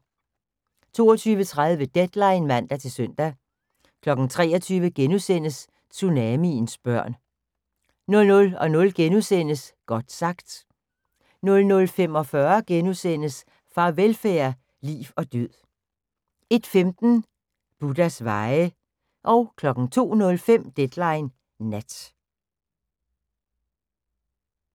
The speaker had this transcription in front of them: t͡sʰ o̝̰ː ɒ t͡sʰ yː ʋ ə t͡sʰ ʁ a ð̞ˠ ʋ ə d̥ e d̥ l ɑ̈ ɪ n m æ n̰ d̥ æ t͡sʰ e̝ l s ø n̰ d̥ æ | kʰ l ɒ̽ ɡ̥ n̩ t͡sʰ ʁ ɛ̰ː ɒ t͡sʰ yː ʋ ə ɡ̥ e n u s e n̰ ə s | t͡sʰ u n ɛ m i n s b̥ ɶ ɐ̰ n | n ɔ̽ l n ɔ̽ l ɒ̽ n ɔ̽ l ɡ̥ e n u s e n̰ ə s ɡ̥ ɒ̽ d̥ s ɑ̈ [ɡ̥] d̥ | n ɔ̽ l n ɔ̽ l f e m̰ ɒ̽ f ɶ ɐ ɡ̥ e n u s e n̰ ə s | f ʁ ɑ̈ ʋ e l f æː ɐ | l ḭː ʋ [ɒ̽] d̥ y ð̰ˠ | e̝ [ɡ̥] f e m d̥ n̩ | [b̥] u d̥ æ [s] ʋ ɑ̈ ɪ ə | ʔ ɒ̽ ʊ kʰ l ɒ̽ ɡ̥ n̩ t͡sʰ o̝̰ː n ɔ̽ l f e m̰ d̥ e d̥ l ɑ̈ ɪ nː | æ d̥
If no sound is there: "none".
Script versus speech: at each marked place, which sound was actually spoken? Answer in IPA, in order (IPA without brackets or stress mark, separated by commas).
ɡ̥, ɒ̽, d̥, b̥, s